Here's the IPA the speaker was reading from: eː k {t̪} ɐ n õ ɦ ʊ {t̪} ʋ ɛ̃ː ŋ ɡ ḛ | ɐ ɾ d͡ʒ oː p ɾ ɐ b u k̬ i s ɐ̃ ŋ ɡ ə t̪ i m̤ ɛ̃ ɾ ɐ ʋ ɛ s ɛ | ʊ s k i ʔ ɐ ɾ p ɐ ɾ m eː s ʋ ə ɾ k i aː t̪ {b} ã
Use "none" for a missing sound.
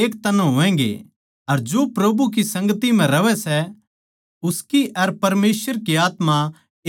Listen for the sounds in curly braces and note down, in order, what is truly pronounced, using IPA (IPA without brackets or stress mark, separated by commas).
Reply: t̪, none, m